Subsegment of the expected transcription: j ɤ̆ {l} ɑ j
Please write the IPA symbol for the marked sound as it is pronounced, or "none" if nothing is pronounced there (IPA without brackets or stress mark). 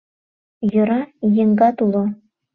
ɾ